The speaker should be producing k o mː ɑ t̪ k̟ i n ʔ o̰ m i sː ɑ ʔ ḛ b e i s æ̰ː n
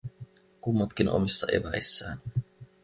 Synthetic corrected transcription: k u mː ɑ t̪ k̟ i n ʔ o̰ m i sː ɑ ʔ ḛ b æ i sː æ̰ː n